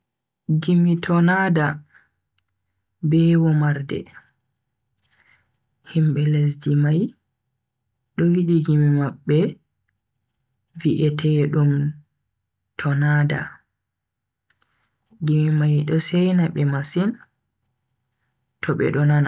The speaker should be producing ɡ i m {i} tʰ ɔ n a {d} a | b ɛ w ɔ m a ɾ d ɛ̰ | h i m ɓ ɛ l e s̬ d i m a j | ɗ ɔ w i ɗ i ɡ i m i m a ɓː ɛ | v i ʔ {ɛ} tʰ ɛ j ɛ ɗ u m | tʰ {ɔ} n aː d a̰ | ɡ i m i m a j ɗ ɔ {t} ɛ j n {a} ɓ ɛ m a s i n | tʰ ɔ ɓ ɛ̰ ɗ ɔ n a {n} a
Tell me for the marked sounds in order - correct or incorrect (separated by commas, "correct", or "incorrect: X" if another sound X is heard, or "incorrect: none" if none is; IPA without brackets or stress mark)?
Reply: correct, correct, correct, correct, incorrect: s, correct, correct